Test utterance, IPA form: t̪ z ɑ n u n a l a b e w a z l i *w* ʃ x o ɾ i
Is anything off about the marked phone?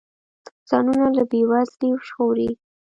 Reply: no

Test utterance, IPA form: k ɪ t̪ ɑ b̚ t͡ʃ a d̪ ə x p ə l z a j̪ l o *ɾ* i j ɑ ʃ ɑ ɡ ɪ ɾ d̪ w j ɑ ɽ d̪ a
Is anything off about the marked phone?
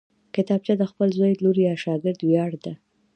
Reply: no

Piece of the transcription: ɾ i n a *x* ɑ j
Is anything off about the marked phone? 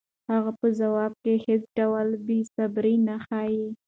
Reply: no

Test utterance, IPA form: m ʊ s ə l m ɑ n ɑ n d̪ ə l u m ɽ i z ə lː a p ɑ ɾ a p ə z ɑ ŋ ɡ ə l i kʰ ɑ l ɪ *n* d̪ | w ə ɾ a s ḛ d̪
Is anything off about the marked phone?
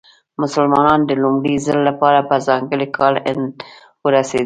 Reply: no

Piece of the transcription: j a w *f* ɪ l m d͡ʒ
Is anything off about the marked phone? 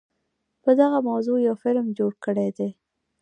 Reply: no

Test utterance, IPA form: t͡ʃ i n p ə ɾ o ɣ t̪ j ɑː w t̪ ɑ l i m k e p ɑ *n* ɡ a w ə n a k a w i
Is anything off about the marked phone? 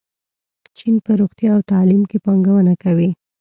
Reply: yes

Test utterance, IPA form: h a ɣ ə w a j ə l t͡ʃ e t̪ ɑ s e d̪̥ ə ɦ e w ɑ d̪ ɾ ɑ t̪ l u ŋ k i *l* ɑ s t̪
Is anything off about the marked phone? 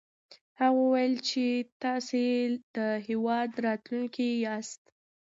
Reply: yes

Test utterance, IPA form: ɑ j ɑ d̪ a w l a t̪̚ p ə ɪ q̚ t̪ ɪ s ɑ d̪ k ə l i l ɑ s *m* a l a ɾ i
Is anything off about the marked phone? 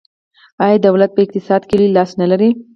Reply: yes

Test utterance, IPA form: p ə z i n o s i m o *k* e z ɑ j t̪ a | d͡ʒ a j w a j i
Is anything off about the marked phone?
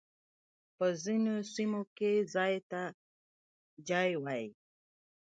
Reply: no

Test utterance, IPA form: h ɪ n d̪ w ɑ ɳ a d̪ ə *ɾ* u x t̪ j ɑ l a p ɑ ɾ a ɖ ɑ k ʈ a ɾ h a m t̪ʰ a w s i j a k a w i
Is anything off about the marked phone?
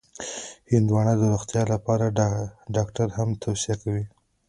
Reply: no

